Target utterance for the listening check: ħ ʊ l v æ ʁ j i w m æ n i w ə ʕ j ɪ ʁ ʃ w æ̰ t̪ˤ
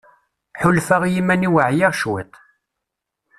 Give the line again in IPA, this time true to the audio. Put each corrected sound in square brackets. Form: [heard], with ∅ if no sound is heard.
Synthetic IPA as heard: ħ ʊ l [f] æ ʁ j i [∅] m æ n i w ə ʕ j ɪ ʁ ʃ w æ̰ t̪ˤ